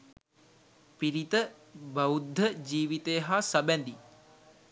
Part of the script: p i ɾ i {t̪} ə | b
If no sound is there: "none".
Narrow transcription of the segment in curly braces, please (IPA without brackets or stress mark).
t̪